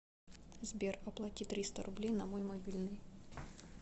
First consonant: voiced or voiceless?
voiced